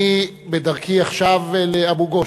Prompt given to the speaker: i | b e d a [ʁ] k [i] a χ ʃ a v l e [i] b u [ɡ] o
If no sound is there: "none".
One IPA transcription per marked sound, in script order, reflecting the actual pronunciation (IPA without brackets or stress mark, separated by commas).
ʁ, i, a, ɡ